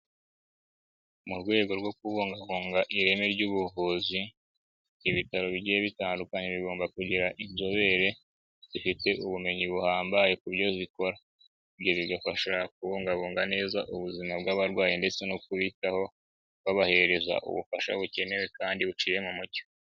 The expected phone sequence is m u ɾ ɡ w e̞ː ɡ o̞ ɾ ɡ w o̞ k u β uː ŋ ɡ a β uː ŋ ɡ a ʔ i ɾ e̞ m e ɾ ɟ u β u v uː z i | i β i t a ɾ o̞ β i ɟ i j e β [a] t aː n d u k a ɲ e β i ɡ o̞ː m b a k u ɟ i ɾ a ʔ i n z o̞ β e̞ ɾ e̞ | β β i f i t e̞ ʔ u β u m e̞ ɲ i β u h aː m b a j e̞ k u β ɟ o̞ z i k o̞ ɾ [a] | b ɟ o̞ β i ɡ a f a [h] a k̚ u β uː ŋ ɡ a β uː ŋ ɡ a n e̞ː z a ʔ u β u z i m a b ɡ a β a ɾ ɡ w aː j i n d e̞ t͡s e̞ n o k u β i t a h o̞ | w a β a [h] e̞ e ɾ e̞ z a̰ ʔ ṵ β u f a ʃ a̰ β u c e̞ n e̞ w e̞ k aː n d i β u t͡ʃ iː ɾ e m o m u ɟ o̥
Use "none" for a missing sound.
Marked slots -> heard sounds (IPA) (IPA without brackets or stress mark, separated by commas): i, a, ʃ, h